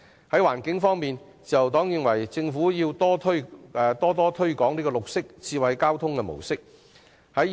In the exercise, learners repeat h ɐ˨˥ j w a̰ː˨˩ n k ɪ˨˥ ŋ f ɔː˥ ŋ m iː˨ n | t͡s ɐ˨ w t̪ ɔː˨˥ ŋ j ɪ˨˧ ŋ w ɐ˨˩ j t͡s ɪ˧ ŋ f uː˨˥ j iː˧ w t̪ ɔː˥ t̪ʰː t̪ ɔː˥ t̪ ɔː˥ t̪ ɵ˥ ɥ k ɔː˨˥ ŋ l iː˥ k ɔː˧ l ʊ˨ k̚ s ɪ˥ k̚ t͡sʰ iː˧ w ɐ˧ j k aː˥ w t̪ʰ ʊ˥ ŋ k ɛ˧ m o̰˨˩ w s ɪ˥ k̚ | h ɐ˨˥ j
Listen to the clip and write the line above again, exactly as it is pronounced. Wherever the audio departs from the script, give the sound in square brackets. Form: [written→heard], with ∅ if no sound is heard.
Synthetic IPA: h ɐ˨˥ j w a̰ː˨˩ n k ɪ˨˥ ŋ f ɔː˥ ŋ m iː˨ n | t͡s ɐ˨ w t̪ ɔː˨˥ ŋ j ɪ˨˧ ŋ w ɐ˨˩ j t͡s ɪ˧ ŋ f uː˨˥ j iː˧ w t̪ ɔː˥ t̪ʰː t̪ ɔː˥ t̪ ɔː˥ [t̪→t̪ʰ] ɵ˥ ɥ k ɔː˨˥ ŋ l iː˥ k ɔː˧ l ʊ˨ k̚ s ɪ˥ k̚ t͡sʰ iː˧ w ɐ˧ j k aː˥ w t̪ʰ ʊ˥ ŋ k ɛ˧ m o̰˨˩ w s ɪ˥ k̚ | h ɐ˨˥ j